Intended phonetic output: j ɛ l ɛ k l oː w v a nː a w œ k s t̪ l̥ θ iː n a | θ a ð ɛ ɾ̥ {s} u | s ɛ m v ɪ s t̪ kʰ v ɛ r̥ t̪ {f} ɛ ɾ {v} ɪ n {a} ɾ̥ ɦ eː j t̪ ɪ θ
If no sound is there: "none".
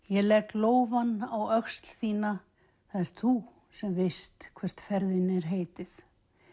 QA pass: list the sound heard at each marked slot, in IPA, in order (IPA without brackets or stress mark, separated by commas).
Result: θ, f, ð, ɛ